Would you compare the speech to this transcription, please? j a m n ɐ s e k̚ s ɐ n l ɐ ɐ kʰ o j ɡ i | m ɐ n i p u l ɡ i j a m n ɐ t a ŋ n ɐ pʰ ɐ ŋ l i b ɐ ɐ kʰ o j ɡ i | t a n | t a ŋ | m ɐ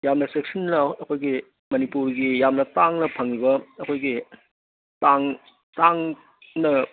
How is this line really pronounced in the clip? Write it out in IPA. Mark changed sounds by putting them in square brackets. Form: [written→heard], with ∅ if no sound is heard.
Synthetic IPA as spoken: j a m n ɐ s e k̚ s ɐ n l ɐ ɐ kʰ o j ɡ i | m ɐ n i p u [l→ɾ] ɡ i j a m n ɐ t a ŋ n ɐ pʰ ɐ ŋ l i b ɐ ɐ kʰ o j ɡ i | t a [n→ŋ] | t a ŋ | [m→n] ɐ